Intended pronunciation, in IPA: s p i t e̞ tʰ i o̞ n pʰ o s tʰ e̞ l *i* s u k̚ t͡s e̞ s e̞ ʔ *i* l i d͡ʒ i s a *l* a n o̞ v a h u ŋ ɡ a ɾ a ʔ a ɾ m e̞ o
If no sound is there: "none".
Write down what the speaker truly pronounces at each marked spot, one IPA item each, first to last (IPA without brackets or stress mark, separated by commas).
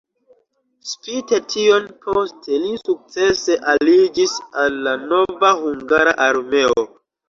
i, a, lː